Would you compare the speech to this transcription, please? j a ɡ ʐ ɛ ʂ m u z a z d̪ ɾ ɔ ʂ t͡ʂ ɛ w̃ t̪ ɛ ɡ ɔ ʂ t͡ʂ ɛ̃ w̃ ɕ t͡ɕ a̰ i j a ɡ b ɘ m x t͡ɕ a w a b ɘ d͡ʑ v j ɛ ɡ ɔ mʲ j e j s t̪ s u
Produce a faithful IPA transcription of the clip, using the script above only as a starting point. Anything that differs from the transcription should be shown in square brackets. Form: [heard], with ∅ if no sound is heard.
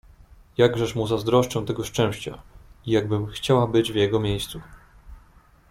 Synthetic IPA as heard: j a ɡ ʐ ɛ ʂ m u z a z d̪ ɾ ɔ ʂ t͡ʂ ɛ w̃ t̪ ɛ ɡ ɔ ʂ t͡ʂ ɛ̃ w̃ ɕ t͡ɕ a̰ i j a ɡ b ɘ m x t͡ɕ a w a b ɘ d͡ʑ v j ɛ ɡ ɔ mʲ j e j s t̪ s u